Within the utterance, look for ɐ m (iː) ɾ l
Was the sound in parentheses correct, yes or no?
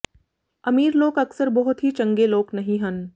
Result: yes